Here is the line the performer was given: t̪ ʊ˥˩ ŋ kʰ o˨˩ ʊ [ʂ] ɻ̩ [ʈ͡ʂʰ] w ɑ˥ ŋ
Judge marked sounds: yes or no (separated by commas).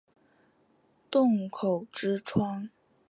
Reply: no, yes